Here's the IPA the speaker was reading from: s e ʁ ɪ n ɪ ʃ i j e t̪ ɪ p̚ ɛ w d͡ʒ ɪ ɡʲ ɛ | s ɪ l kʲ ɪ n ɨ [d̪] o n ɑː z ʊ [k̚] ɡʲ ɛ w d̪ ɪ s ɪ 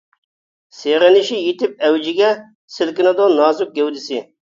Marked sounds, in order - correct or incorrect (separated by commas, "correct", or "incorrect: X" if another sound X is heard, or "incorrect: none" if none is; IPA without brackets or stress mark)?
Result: correct, correct